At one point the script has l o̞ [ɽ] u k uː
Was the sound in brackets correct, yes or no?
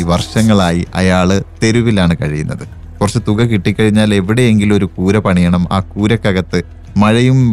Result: no